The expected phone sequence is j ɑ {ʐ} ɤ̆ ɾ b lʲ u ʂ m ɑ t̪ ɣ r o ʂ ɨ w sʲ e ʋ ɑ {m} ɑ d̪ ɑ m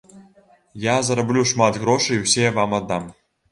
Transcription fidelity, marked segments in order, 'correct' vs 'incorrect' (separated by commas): incorrect, correct